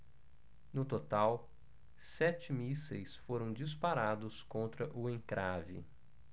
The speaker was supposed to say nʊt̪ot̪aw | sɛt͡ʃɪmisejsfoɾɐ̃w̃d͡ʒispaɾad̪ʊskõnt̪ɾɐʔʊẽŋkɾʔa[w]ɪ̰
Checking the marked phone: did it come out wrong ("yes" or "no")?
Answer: yes